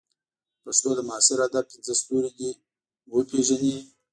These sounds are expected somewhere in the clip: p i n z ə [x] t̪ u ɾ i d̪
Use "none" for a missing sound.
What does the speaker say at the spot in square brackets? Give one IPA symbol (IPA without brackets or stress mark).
s